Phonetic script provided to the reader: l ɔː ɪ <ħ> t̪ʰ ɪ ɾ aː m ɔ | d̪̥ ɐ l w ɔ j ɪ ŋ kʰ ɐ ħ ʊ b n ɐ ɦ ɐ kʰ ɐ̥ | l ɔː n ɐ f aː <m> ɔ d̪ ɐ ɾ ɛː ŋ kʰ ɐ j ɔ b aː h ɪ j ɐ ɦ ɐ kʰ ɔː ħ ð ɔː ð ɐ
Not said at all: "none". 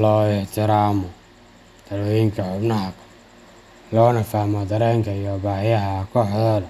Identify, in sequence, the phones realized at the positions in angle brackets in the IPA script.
ħ, m

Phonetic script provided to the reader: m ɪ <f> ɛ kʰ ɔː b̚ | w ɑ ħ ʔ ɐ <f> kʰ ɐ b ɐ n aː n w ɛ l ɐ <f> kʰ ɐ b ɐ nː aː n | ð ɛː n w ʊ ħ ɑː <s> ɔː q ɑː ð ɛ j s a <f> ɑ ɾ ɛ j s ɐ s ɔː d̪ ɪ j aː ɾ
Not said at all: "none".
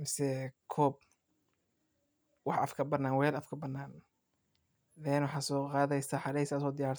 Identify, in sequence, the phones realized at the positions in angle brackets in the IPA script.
s, f, f, s, ħ

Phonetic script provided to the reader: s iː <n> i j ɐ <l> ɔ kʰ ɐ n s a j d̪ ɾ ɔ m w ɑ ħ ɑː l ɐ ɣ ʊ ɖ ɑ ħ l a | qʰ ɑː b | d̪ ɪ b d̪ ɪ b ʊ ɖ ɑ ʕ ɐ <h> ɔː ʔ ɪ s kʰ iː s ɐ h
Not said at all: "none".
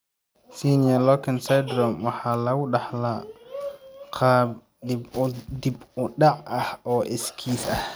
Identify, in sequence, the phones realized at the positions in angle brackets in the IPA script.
n, l, h

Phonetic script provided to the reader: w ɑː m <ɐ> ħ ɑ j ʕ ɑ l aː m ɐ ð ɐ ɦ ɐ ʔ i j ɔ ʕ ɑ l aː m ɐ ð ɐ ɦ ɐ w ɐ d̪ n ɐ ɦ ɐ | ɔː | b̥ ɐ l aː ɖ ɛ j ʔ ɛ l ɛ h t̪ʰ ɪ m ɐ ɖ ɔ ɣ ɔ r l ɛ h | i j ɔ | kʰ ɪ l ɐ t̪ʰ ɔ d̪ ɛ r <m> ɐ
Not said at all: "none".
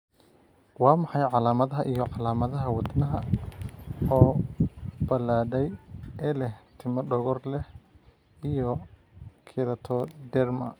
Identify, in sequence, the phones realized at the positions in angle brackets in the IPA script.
ɑ, m

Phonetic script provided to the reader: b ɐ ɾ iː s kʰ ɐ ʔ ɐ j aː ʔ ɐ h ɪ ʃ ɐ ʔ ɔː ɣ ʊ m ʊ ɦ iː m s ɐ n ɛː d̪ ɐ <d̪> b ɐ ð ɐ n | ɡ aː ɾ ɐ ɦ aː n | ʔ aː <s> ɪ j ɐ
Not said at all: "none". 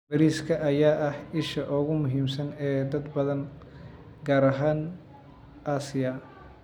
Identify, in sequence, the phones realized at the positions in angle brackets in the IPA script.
d̪, s

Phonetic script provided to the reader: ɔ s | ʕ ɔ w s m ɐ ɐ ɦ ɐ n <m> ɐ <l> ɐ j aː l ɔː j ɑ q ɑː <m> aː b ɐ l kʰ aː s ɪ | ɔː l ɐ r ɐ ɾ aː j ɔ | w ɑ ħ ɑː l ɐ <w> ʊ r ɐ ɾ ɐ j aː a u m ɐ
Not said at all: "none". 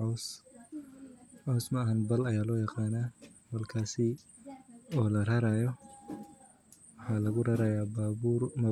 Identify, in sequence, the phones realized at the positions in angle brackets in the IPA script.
b, l, n, ɣ

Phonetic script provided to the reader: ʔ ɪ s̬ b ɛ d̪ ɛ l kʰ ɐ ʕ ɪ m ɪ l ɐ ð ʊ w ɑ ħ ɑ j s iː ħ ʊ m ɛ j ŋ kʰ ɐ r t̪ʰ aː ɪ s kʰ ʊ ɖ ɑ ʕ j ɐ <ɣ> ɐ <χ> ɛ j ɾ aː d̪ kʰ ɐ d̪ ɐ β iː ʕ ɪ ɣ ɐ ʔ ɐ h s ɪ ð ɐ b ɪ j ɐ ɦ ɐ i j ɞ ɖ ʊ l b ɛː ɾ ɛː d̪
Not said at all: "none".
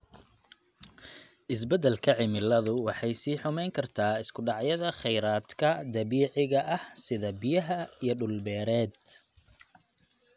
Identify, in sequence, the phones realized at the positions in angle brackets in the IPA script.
ð, χ

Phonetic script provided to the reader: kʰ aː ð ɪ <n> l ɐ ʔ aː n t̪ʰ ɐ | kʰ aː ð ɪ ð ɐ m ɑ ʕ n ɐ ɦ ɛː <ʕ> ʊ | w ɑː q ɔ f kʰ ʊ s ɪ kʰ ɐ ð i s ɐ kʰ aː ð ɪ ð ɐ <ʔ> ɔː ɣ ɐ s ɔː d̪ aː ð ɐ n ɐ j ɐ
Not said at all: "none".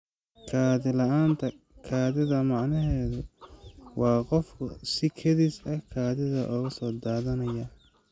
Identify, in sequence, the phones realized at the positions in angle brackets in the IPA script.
none, ð, ʔ

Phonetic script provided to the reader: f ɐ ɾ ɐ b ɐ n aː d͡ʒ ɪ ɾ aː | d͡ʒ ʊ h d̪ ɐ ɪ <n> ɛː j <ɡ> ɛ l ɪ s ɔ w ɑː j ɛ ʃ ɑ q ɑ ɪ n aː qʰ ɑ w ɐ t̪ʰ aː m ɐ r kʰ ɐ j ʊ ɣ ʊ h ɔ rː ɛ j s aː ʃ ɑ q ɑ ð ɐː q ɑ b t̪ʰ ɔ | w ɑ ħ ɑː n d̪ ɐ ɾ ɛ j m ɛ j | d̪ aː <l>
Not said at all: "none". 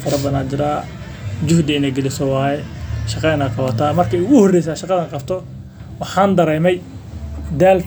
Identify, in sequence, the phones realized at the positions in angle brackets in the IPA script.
n, ɡ, l

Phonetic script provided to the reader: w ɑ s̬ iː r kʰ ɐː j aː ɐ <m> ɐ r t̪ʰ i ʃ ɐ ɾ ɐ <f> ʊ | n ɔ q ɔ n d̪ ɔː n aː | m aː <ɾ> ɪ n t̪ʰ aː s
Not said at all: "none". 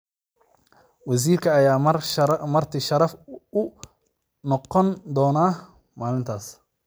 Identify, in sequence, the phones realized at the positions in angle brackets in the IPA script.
m, f, l

